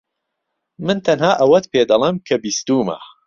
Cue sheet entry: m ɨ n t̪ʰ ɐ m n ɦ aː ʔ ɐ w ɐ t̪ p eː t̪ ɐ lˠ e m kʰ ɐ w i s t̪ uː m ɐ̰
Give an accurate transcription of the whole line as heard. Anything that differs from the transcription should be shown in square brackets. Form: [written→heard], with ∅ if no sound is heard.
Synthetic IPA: m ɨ n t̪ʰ ɐ [m→∅] n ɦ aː ʔ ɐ w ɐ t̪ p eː [t̪→d̪] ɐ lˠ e m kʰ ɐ [w→b] i s t̪ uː m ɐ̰